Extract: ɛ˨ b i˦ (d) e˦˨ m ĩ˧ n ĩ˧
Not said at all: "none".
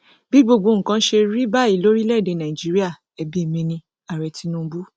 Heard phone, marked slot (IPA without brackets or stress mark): none